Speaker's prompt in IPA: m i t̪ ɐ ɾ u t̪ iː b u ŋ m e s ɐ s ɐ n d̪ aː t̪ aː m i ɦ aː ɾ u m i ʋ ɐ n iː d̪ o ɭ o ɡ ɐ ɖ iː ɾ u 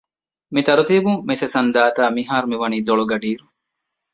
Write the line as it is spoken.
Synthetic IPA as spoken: m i t̪ ɐ ɾ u t̪ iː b u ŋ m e s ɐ s ɐ n d̪ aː t̪ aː m i ɦ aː ɾ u m i ʋ ɐ n iː d̪ o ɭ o ɡ ɐ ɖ iː ɾ u